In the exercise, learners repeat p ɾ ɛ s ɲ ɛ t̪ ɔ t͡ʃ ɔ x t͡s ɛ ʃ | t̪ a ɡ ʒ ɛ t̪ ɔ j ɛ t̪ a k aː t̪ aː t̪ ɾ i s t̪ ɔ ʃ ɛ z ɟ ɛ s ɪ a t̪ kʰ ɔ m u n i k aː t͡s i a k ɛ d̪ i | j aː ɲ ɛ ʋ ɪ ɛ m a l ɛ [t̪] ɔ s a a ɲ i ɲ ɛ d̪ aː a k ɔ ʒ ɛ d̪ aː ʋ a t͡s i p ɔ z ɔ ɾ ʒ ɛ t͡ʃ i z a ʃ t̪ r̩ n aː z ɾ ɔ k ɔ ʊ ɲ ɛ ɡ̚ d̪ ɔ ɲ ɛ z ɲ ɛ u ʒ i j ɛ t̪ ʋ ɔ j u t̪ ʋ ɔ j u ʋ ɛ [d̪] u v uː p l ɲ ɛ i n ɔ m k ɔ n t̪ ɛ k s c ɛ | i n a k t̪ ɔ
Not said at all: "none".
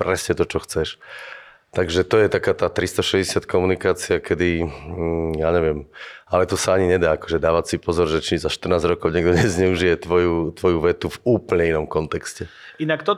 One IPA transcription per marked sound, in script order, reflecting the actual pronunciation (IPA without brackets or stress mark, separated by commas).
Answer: t̪, t̪